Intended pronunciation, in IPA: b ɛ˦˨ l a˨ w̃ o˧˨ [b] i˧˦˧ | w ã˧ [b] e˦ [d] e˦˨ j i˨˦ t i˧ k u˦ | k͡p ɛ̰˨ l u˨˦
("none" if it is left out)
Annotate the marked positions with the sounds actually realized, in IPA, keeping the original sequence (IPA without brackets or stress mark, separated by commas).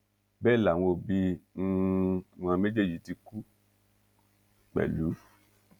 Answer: b, m, d͡ʒ